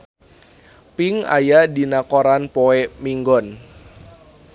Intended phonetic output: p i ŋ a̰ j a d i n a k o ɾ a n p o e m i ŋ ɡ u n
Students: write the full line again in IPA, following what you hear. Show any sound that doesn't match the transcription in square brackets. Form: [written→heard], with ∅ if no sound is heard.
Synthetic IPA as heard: p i ŋ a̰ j a d i n a k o ɾ a n p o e m i ŋ ɡ [u→ɔ] n

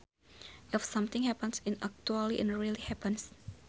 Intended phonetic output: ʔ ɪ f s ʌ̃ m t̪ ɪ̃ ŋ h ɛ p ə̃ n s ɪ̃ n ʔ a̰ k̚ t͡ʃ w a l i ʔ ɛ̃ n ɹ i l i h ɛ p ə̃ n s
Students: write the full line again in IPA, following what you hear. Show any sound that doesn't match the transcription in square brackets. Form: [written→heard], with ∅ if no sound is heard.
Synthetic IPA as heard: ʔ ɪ f s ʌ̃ m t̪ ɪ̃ ŋ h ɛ p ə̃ n s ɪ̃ n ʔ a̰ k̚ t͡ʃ [w→u] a l i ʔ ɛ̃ n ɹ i l i h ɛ p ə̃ n s

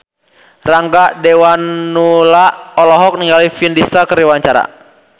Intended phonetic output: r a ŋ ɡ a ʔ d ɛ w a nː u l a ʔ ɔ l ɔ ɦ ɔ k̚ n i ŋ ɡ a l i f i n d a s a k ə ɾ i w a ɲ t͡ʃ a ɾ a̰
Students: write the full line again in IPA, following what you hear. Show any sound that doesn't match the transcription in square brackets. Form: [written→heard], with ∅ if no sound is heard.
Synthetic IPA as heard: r a ŋ ɡ a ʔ d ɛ w a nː u l a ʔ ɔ l ɔ ɦ ɔ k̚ n i ŋ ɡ a l i f i n d [a→i] s a k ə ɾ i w a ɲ t͡ʃ a ɾ a̰

